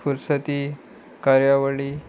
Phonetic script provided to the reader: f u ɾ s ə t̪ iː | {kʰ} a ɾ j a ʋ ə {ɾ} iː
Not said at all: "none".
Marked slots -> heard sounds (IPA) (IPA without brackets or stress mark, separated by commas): k, ɭ